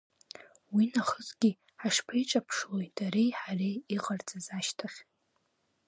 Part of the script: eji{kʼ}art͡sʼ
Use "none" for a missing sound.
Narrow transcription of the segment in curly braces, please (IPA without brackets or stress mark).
qʼ